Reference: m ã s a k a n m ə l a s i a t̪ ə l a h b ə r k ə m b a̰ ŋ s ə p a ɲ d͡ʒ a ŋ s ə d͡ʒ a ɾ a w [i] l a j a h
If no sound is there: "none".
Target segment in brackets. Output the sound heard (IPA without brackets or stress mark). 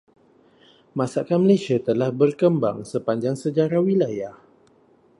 i